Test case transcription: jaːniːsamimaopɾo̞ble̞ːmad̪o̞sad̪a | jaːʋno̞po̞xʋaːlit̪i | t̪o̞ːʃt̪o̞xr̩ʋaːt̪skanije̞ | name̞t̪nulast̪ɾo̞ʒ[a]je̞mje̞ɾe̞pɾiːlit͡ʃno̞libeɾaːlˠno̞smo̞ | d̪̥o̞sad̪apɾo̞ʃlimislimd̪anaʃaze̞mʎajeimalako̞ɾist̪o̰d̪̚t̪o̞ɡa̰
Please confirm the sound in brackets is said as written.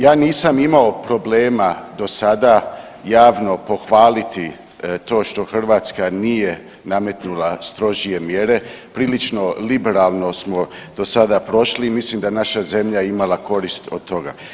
no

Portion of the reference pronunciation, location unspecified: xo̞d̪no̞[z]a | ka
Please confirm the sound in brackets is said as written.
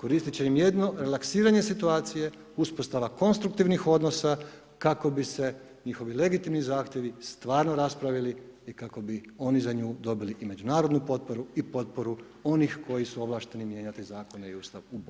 no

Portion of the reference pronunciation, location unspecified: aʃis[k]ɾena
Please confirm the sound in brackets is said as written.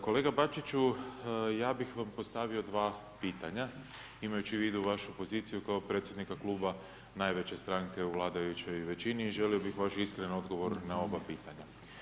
yes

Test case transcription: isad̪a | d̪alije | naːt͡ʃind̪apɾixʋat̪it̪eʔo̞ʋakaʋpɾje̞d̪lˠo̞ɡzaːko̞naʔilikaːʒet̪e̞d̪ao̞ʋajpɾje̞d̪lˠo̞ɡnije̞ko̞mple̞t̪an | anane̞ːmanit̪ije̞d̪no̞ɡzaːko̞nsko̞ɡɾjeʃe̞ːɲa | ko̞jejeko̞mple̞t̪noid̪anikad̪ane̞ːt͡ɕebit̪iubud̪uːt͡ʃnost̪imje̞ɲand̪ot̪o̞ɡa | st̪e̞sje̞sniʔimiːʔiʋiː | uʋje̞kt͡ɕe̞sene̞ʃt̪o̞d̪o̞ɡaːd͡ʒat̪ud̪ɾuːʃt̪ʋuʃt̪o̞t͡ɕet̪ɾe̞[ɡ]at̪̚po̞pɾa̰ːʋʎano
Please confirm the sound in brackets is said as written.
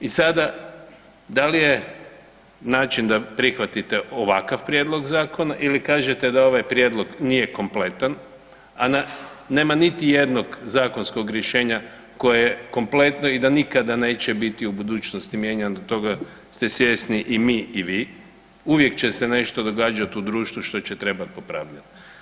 no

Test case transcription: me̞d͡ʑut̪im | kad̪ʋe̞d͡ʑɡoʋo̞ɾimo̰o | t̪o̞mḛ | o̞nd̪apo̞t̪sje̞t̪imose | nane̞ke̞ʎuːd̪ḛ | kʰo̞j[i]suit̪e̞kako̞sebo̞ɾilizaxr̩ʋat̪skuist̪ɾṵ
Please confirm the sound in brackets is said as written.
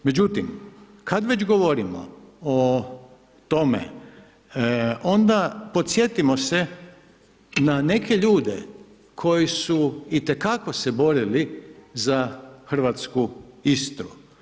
yes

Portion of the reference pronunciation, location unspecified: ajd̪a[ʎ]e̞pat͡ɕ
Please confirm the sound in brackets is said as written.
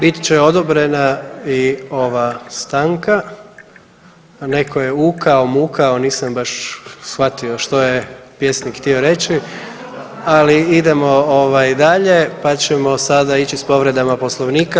yes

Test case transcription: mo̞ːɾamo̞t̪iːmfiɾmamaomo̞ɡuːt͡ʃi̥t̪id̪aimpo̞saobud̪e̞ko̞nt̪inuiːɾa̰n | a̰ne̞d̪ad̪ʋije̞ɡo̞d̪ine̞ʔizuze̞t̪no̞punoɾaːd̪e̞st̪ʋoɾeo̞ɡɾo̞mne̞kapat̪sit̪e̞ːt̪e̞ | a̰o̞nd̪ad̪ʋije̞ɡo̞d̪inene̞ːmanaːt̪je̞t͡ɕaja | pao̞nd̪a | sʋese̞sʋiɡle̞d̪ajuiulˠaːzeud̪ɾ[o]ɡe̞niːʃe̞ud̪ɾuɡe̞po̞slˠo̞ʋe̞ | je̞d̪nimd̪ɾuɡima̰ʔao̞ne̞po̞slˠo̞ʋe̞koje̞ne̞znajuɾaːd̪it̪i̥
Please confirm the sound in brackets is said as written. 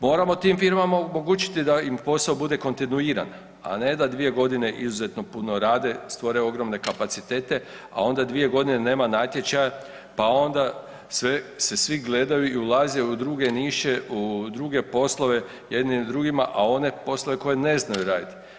no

